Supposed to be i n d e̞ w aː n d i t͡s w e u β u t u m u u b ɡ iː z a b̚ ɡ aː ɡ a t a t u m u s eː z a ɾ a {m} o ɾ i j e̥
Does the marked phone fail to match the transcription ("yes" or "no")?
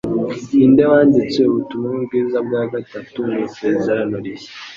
yes